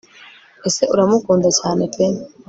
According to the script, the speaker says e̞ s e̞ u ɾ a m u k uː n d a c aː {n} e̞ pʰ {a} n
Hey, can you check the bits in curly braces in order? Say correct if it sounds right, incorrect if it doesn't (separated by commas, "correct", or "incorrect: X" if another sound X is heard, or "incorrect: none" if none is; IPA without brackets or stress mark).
correct, incorrect: e